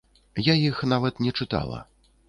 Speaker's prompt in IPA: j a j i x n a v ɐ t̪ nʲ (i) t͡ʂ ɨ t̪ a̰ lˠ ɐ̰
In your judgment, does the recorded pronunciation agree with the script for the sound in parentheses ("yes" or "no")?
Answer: no